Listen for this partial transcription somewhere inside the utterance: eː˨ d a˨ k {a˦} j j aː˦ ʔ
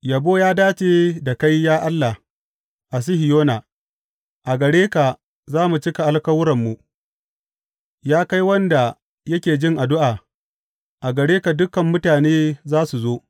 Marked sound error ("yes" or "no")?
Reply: no